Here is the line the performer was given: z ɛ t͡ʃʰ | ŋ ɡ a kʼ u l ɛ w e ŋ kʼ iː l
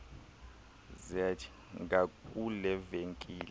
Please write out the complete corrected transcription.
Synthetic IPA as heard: z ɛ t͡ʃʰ | ŋ ɡ a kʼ u l ɛ v e ŋ kʼ iː l